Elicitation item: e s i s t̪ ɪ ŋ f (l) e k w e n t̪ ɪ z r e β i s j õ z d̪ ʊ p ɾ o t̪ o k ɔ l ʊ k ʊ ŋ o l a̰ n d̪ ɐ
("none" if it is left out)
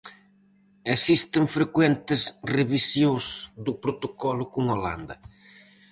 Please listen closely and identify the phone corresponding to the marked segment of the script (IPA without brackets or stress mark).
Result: ɾ